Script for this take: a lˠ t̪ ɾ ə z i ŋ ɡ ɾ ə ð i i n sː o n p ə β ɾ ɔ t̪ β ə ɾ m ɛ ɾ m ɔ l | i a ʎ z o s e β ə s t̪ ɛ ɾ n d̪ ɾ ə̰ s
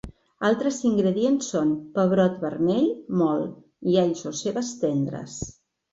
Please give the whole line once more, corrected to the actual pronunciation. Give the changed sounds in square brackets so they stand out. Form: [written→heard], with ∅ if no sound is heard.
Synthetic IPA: a lˠ t̪ ɾ ə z i ŋ ɡ ɾ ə ð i [i→e] n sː o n p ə β ɾ ɔ t̪ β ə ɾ m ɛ [ɾ→ʎ] m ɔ l | i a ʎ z o s e β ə s t̪ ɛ [ɾ→∅] n d̪ ɾ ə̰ s